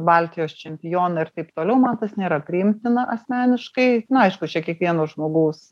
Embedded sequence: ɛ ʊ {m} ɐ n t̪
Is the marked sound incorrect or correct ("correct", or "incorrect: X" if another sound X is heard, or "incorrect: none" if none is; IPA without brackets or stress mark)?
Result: correct